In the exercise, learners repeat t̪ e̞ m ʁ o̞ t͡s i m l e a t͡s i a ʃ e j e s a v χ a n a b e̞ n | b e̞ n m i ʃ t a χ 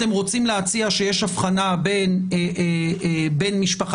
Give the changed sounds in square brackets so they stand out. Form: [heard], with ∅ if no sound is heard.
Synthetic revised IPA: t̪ e̞ m ʁ o̞ t͡s i m l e a t͡s i a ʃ e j e [ʃ] a [f] χ a n a b e̞ n | b e̞ n m i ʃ [p] a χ